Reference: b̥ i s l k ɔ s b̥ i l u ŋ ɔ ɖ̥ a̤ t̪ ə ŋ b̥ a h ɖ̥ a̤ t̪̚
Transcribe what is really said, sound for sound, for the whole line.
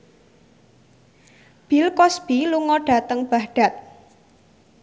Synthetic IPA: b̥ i l k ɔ s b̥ i l u ŋ ɔ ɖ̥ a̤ t̪ ə ŋ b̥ a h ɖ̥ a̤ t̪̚